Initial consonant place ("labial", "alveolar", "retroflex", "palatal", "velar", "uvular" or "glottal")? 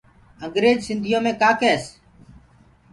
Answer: velar